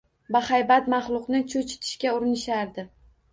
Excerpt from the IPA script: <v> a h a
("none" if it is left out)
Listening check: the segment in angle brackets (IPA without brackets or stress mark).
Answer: b